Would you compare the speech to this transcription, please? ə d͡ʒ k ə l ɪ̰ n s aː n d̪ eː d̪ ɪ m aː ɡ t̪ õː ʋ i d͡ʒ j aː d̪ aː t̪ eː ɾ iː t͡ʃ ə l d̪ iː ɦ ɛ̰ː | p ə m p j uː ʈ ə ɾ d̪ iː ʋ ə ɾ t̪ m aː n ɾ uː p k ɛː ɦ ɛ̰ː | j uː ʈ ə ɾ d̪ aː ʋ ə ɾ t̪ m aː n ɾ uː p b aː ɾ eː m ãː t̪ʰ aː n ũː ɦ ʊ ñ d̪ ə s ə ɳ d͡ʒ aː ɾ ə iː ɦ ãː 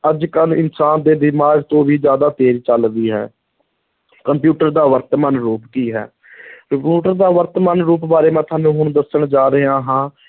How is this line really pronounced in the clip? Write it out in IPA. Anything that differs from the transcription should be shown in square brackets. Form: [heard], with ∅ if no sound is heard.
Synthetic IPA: ə d͡ʒ k ə l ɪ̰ n s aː n d̪ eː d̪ ɪ m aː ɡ t̪ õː ʋ [iː] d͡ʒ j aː d̪ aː t̪ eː ɾ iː t͡ʃ ə l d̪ iː ɦ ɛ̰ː | [k] ə m p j uː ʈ ə ɾ d̪ [aː] ʋ ə ɾ t̪ m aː n ɾ uː p k [iː] ɦ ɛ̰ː | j uː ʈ ə ɾ d̪ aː ʋ ə ɾ t̪ m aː n ɾ uː p b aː ɾ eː m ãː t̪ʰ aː n ũː ɦ ʊ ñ d̪ ə s ə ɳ d͡ʒ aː ɾ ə [aː] ɦ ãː

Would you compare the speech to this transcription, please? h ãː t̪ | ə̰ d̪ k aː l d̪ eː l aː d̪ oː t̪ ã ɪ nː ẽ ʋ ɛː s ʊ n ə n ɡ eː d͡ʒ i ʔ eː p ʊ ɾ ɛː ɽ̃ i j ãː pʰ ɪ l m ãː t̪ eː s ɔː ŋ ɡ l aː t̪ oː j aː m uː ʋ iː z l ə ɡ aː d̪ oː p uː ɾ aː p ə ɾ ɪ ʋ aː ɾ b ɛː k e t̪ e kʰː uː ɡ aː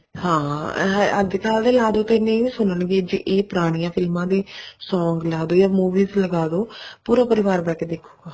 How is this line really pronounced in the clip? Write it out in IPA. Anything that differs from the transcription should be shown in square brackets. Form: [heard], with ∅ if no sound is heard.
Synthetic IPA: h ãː [∅] | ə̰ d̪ k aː l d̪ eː l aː d̪ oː t̪ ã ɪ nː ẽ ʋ [iː] s ʊ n ə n ɡ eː d͡ʒ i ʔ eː p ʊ ɾ [aː] ɽ̃ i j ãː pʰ ɪ l m ãː [d̪] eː s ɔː ŋ ɡ l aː [d̪] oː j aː m uː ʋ iː z l ə ɡ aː d̪ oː p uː ɾ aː p ə ɾ ɪ ʋ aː ɾ b ɛː k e [d̪] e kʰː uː ɡ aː

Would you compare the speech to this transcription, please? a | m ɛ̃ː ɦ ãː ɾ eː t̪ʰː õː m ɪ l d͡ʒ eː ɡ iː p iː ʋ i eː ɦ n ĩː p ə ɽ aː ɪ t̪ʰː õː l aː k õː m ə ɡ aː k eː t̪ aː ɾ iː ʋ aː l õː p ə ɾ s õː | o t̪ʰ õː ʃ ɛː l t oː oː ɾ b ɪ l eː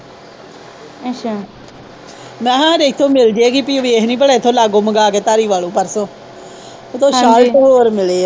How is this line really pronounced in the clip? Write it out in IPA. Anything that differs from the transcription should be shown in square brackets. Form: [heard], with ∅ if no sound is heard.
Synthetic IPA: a | m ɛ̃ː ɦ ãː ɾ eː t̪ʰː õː m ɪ l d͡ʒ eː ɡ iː p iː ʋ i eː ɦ n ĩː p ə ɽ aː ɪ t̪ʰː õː l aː [ɡ] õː m ə ɡ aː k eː t̪ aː ɾ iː ʋ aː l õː p ə ɾ s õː | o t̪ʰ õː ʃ [aː] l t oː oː ɾ [m] ɪ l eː

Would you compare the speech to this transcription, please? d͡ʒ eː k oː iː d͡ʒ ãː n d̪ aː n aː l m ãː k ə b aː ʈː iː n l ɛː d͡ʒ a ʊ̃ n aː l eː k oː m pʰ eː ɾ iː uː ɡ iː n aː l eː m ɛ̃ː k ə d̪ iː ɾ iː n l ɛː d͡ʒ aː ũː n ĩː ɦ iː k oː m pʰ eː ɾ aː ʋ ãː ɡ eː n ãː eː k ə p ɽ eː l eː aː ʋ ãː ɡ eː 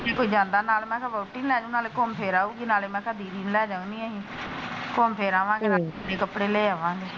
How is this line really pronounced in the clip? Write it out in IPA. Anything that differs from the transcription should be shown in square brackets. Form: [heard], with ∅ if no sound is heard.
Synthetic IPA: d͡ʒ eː k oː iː d͡ʒ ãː n d̪ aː n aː l m [ɛ̃ː] k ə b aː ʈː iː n l ɛː d͡ʒ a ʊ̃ n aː l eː k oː m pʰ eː ɾ [aː] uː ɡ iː n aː l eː m ɛ̃ː k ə d̪ iː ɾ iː n l ɛː d͡ʒ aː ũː n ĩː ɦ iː k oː m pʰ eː ɾ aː ʋ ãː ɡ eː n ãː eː k ə p ɽ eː l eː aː ʋ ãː ɡ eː

